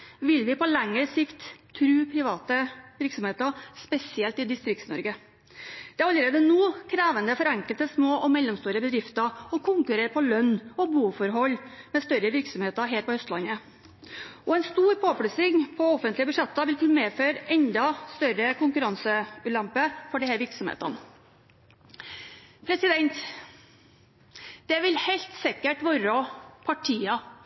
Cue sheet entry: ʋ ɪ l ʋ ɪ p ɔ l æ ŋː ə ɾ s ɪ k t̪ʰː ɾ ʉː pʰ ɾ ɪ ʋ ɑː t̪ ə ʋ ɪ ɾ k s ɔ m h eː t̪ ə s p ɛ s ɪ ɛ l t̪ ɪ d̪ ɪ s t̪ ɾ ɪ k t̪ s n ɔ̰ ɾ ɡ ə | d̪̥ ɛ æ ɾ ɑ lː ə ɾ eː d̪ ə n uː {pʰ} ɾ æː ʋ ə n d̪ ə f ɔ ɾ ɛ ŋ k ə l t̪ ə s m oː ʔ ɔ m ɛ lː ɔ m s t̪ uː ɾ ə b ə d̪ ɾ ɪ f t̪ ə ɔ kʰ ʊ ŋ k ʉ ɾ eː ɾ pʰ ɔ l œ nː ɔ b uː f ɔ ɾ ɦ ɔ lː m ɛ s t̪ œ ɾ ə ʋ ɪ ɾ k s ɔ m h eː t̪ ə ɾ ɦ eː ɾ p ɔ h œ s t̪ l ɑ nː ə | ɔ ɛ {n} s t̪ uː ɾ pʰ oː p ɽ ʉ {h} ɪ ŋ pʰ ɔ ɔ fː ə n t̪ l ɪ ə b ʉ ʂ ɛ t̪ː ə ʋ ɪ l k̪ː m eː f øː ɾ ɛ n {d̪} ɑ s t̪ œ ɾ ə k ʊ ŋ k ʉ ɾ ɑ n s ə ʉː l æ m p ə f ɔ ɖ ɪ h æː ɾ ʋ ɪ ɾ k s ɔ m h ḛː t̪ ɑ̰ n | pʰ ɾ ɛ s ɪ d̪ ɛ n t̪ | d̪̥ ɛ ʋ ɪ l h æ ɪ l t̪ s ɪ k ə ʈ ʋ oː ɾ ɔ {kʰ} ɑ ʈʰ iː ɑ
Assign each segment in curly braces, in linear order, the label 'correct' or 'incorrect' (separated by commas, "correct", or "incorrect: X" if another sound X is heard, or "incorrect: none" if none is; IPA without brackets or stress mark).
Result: incorrect: kʰ, correct, incorrect: s, correct, incorrect: pʰ